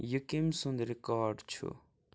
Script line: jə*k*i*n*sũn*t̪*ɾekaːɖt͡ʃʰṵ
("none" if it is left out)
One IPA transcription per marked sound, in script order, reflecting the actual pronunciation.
k, m, d̪

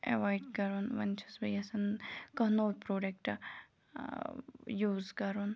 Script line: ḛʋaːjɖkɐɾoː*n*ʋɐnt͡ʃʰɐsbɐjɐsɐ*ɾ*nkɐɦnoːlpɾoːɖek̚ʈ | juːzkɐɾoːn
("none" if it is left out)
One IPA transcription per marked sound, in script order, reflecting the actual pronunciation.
n, none

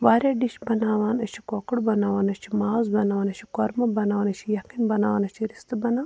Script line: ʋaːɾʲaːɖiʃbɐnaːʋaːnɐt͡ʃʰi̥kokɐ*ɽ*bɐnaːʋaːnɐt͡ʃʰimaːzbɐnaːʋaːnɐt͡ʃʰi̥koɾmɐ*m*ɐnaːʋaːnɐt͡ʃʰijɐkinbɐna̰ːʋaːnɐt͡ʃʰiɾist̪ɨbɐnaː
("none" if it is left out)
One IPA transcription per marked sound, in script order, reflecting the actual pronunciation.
ɽ, b

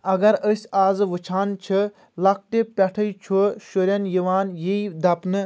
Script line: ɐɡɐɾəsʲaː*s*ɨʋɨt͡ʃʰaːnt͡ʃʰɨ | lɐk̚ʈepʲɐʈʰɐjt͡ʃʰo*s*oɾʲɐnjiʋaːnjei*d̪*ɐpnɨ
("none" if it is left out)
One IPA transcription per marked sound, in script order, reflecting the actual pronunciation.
z, ʃ, d̪

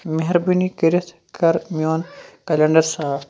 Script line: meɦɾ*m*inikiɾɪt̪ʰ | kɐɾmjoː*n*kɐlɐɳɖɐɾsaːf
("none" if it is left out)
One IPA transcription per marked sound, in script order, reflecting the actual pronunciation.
b, n

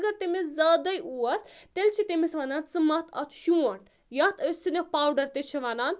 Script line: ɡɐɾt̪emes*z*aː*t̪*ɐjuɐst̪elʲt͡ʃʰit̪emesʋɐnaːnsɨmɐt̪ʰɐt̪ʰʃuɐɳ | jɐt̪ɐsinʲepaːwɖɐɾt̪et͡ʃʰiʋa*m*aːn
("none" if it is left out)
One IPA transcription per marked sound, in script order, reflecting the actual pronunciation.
z, d̪, n

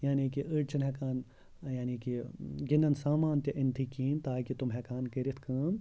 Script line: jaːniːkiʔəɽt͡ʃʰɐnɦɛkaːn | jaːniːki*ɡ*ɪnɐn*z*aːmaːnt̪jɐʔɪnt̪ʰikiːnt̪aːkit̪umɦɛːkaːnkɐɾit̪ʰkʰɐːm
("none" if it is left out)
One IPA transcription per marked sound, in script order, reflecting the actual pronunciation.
ɡ, s

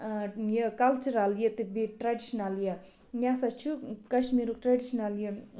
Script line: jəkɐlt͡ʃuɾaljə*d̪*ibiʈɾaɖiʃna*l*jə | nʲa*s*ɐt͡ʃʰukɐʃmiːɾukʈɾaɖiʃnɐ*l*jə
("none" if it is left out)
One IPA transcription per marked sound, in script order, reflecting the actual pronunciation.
t̪, l, s, l

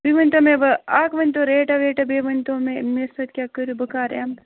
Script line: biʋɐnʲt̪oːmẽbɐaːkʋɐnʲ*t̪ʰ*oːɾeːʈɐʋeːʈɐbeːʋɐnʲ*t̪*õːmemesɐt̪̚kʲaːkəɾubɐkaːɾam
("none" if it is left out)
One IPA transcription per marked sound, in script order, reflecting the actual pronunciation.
t̪, t̪

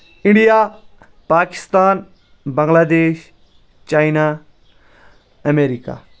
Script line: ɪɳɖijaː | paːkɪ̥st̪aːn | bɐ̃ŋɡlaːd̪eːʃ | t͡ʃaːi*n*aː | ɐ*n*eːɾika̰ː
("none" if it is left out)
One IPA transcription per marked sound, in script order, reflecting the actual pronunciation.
n, m

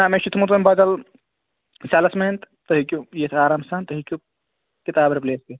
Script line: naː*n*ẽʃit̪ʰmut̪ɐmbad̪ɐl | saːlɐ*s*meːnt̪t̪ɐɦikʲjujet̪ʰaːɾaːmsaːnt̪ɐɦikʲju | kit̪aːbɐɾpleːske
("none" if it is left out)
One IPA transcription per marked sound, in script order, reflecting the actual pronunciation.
m, s

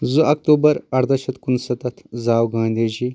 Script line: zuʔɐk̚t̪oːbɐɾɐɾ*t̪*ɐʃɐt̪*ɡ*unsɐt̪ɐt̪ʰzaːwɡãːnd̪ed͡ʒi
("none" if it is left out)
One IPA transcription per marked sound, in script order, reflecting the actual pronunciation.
d̪, k

